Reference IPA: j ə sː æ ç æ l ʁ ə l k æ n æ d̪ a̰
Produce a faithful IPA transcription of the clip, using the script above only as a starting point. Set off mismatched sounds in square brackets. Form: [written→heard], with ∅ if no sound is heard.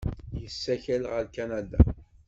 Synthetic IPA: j ə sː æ ç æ l ʁ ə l k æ n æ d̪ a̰

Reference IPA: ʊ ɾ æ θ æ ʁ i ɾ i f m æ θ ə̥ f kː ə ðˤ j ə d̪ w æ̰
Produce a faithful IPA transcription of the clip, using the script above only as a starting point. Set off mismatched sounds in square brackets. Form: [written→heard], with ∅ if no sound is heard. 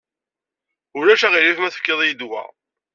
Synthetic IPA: ʊ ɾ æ [θ→ʃ] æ ʁ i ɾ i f m æ θ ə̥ f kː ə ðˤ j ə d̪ w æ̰

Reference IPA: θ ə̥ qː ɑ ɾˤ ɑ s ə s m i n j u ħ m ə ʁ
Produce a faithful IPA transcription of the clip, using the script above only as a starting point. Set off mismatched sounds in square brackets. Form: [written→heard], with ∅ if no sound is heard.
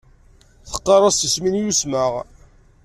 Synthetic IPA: θ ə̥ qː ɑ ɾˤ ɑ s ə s m i n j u [ħ→s] m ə ʁ

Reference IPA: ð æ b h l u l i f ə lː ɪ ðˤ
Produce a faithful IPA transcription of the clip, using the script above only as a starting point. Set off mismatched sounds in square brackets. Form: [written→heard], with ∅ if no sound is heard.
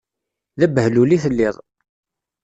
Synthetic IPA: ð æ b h l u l i [f→θ] ə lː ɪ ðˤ

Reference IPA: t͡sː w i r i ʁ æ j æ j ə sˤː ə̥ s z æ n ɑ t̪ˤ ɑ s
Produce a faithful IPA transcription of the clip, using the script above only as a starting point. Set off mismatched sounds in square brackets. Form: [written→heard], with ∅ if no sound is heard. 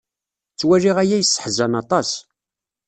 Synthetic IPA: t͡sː w [i→æ] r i ʁ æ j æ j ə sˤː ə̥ [s→ħ] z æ n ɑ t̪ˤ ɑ s

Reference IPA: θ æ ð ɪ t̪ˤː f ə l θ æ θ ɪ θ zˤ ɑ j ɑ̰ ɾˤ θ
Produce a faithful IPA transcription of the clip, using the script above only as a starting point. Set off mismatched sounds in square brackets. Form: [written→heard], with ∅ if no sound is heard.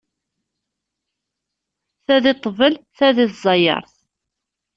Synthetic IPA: θ æ ð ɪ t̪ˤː [f→v] ə l θ æ [θ→ð] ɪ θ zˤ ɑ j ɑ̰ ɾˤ θ

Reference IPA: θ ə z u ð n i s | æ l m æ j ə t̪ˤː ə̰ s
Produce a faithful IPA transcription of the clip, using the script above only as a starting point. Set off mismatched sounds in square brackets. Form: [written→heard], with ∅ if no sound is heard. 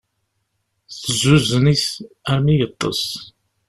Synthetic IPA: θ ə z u [ð→z] n i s | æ [l→ɾ] m [æ→i] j ə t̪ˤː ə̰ s

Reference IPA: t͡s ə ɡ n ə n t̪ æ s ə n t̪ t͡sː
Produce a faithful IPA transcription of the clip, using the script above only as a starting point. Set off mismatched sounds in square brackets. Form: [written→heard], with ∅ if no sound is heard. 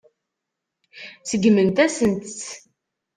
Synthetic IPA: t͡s ə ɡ [n→m] ə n t̪ æ s ə n t̪ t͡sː

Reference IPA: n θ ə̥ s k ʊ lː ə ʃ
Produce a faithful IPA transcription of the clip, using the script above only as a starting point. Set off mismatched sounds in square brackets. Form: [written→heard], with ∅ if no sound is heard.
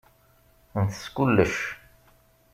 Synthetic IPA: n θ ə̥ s k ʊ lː ə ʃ

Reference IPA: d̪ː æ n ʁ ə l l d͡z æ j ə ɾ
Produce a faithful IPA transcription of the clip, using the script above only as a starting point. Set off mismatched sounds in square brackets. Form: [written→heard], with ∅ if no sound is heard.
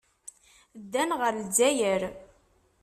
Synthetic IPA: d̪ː æ n ʁ ə [l→ɾ] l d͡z æ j ə ɾ

